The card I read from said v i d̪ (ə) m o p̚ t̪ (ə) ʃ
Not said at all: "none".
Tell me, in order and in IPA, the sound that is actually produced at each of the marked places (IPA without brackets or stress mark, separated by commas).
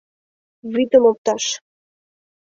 ə, ɑ